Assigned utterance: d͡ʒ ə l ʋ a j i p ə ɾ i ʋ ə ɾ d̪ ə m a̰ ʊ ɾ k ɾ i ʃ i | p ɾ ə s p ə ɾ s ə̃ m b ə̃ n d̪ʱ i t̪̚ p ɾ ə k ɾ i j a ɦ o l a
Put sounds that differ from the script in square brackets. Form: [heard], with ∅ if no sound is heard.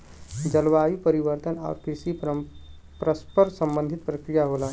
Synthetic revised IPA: d͡ʒ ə l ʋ a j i p ə ɾ i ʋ ə ɾ [t̪] ə [n] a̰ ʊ ɾ k ɾ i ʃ i | p ɾ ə s p ə ɾ s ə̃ m b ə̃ n d̪ʱ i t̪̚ p ɾ ə k ɾ i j a ɦ o l a